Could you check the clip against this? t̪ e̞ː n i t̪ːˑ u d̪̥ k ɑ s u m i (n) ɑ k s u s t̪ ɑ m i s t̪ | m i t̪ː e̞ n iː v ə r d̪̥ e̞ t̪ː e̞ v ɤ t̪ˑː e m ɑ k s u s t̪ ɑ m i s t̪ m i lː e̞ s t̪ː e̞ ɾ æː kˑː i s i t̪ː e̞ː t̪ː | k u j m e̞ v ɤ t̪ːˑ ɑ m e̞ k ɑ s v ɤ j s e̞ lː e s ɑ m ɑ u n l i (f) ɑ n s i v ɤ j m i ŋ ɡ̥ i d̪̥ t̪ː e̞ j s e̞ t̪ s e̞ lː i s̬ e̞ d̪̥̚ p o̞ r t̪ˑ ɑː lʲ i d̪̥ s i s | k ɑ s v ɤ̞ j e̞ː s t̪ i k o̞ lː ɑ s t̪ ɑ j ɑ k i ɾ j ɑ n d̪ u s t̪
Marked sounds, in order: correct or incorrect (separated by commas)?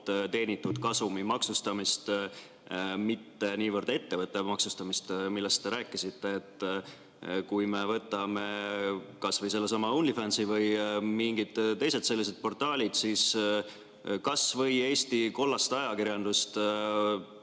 incorrect, correct